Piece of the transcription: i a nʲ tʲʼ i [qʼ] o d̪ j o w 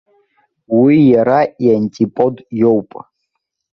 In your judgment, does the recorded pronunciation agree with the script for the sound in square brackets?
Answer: no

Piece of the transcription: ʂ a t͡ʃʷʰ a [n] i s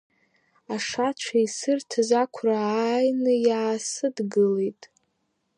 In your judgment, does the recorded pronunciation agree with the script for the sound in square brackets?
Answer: no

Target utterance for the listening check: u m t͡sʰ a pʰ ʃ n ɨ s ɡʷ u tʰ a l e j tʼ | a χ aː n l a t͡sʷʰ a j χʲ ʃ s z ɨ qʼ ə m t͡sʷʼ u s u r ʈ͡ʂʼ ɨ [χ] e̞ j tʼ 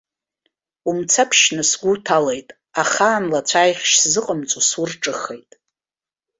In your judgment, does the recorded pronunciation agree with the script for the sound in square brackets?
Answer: yes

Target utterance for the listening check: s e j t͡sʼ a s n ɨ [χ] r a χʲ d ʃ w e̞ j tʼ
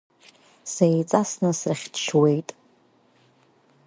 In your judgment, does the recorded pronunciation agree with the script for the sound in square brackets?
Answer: no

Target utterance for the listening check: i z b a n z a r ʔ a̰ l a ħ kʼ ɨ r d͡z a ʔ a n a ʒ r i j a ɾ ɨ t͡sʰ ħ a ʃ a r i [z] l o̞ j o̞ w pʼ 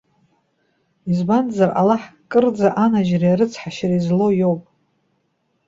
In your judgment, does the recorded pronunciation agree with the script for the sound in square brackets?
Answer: yes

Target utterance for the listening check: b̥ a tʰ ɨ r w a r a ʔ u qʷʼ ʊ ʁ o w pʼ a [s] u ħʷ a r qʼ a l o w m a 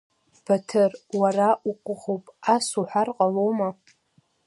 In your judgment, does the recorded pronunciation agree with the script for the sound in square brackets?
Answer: yes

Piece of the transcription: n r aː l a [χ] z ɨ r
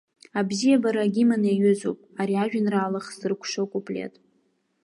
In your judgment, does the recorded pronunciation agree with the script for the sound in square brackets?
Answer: yes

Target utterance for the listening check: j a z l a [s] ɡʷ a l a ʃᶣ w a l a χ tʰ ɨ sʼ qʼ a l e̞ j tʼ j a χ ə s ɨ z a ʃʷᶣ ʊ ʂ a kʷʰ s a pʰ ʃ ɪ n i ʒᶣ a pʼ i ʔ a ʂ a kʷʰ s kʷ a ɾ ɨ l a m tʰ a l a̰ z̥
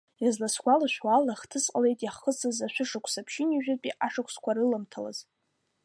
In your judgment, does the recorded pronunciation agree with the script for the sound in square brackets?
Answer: yes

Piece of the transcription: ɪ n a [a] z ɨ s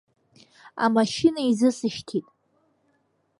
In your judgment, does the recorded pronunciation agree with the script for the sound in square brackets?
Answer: no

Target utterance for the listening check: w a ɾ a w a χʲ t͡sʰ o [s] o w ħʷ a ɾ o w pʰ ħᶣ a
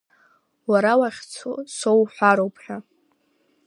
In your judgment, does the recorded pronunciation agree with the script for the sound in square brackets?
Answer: yes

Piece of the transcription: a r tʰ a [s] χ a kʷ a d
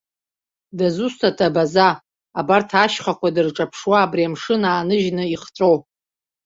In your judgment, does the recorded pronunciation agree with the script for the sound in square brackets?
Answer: no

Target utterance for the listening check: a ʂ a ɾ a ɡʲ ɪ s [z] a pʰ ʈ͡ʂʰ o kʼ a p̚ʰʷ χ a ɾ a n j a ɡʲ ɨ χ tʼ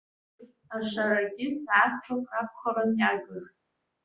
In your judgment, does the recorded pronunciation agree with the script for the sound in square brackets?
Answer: no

